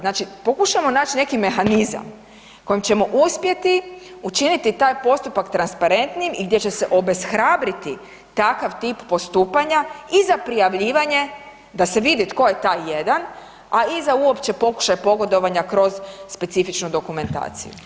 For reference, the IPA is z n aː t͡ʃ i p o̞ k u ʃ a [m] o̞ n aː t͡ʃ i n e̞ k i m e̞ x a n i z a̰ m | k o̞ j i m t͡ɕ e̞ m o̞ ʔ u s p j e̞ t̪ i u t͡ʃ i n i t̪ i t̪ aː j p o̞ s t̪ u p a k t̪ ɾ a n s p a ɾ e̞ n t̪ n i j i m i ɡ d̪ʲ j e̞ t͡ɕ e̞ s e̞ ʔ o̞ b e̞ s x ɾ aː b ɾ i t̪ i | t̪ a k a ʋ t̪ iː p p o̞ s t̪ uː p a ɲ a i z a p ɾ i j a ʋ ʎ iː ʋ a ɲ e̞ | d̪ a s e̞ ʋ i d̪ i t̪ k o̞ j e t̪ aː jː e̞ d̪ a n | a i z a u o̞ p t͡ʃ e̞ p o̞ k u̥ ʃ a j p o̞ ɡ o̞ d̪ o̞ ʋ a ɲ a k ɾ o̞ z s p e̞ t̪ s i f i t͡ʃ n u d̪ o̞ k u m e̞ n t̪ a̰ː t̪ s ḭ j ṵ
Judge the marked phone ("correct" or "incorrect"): correct